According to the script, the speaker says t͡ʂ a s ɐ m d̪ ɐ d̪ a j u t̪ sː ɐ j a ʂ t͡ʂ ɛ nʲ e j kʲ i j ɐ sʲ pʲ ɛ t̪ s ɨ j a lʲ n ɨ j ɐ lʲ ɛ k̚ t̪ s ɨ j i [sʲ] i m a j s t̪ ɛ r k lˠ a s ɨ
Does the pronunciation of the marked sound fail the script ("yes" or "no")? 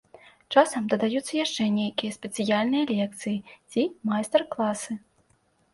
yes